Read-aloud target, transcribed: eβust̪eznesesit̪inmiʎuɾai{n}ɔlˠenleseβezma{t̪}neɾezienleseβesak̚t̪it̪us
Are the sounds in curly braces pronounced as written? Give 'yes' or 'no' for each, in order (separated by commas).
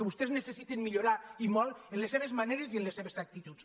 no, no